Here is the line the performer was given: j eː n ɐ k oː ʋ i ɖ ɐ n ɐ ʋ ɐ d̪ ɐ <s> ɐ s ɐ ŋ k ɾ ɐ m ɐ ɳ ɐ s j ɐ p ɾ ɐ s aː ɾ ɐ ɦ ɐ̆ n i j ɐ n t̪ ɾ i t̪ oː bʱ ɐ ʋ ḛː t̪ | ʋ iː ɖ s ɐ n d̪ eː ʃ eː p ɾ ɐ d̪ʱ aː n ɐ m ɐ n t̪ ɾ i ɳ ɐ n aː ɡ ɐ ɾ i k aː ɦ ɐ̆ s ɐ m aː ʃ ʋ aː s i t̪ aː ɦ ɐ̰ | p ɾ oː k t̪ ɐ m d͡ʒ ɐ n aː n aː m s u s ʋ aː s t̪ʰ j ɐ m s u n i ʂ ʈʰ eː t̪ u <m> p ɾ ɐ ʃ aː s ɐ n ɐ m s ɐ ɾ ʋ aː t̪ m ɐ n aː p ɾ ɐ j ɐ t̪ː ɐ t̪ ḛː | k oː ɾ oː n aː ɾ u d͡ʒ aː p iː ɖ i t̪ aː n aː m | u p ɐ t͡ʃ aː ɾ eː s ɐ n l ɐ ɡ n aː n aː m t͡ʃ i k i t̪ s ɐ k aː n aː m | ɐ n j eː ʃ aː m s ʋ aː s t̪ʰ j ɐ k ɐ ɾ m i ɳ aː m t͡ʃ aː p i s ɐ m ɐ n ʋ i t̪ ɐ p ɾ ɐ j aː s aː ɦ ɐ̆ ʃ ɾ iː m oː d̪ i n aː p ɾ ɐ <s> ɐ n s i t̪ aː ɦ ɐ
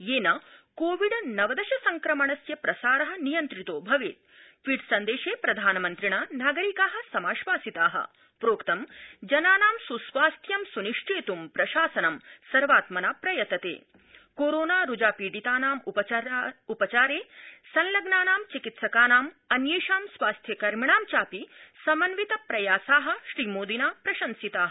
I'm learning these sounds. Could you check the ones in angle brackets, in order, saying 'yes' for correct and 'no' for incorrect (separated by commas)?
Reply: no, yes, no